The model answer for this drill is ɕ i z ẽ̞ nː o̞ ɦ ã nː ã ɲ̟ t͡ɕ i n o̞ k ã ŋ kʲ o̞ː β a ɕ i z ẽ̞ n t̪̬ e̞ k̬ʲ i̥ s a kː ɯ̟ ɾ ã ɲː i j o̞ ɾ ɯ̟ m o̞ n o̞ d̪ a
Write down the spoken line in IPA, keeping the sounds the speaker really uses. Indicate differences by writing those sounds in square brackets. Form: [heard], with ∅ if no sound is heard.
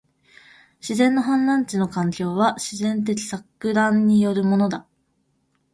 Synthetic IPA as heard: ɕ i z ẽ̞ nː o̞ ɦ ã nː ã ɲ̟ t͡ɕ i n o̞ k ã ŋ kʲ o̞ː β a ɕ i z ẽ̞ n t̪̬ e̞ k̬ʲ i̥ s a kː ɯ̟ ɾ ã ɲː i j o̞ ɾ ɯ̟ m o̞ n o̞ d̪ a